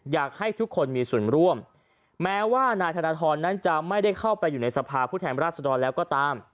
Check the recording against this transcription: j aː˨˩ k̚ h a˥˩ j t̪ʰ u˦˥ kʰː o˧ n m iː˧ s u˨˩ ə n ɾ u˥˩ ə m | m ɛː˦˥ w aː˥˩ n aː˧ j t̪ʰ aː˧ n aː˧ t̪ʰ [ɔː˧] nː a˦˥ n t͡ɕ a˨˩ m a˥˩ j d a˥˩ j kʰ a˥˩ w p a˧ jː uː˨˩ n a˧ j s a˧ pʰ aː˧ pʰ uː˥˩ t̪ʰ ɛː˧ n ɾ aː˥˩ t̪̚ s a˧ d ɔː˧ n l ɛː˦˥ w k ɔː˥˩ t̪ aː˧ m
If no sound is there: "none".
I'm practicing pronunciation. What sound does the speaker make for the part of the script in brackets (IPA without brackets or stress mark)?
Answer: ɔː˧